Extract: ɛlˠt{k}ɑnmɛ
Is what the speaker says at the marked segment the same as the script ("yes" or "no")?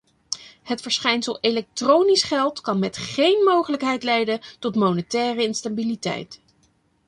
yes